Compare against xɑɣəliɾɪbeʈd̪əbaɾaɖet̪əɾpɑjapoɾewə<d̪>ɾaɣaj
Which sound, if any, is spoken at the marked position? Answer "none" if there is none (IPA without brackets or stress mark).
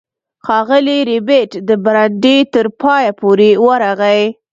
none